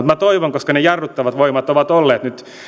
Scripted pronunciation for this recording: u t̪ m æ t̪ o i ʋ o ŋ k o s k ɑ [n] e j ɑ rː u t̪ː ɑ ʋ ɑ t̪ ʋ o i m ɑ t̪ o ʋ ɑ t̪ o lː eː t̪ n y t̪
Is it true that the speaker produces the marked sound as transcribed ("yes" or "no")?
yes